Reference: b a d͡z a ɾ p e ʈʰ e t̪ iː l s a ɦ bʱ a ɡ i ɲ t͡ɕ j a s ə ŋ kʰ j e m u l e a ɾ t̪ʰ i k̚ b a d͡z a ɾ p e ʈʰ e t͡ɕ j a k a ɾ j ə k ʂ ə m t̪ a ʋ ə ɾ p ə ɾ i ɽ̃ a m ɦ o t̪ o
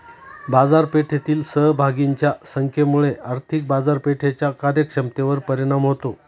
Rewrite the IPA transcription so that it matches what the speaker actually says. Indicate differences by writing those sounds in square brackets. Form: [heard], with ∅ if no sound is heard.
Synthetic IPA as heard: b a d͡z a ɾ p e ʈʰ e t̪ iː l s [ə] ɦ bʱ a ɡ i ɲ t͡ɕ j a s ə ŋ kʰ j e m u [ɭ] e a ɾ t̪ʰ i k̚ b a d͡z a ɾ p e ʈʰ e t͡ɕ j a k a ɾ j ə k ʂ ə m t̪ [e] ʋ ə ɾ p ə ɾ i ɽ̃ a m ɦ o t̪ o